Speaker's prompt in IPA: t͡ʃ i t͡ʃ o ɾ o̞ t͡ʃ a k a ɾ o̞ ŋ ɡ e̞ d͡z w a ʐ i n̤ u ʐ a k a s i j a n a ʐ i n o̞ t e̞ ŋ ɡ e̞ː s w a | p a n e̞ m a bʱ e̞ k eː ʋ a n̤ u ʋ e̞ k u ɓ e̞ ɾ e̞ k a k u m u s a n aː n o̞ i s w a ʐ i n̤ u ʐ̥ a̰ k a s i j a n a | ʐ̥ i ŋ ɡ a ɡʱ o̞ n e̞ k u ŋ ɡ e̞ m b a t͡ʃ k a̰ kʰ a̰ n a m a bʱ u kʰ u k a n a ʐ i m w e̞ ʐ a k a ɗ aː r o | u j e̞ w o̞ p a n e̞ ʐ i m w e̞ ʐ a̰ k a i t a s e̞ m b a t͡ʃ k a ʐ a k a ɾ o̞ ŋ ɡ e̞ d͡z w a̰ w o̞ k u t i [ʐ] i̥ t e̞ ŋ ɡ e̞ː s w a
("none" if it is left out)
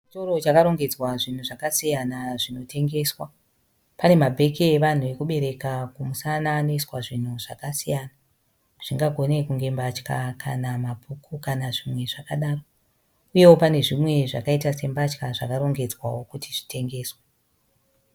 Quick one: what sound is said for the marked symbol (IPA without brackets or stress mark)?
ʐ